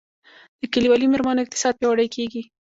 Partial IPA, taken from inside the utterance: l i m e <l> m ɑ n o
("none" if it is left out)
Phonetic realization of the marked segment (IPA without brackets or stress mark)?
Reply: ɾ